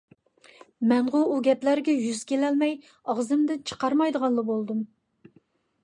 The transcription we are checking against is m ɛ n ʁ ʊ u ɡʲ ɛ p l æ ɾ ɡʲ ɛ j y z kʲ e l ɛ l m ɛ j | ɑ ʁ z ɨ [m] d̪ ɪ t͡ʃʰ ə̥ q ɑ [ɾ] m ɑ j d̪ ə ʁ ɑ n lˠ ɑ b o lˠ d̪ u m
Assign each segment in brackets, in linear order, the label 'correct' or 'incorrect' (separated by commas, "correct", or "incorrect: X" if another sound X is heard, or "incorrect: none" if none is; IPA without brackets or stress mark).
correct, correct